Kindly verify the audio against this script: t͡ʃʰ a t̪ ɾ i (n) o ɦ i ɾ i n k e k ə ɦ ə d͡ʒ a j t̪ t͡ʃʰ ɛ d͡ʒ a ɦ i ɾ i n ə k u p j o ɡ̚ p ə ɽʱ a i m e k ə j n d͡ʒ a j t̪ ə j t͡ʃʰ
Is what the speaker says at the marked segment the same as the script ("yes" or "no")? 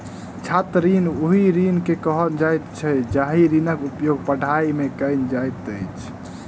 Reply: yes